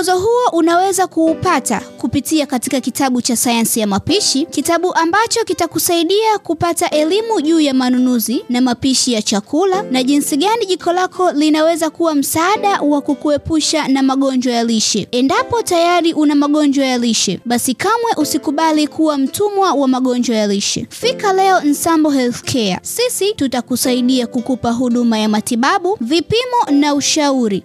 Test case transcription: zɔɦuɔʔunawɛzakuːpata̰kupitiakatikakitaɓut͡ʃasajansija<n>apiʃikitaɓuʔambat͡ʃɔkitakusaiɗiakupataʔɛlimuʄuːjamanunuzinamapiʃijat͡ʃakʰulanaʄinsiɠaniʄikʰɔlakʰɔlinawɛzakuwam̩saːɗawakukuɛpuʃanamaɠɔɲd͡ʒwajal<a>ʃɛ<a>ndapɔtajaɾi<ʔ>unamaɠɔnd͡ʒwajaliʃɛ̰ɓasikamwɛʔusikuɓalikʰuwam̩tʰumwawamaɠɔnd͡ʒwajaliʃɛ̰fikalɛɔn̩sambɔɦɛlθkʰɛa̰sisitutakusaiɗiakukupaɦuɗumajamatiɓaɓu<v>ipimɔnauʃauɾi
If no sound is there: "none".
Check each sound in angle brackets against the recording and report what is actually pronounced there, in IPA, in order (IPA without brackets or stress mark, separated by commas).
m, i, ɛ, ʔ, v